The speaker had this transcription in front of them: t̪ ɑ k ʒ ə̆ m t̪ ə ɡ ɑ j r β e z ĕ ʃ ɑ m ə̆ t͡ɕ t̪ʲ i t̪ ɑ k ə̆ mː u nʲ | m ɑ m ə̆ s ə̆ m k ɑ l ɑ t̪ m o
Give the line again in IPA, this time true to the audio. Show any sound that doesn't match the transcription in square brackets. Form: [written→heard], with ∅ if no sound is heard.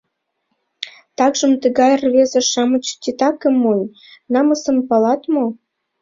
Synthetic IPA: t̪ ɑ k ʒ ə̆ m t̪ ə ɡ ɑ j r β e z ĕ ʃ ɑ m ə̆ t͡ɕ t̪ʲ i t̪ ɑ k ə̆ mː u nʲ | [m→n] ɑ m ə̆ s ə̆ m [k→p] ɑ l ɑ t̪ m o